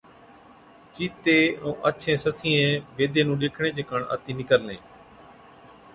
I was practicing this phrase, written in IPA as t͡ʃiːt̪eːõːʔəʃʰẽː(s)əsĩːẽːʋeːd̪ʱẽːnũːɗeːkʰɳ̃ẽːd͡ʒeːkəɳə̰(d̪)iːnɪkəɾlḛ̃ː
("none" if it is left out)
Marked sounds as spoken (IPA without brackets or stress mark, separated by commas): s, t̪